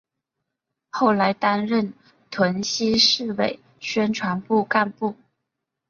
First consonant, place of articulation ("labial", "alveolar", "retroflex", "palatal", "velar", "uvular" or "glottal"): velar